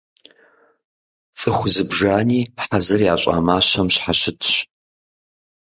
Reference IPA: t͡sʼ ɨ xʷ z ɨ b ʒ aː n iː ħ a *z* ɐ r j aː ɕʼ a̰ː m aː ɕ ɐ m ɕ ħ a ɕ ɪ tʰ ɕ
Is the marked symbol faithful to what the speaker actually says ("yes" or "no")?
yes